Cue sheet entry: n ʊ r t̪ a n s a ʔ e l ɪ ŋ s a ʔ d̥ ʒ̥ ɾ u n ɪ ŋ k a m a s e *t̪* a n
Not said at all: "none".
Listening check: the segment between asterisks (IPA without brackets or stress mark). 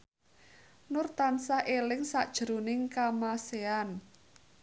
none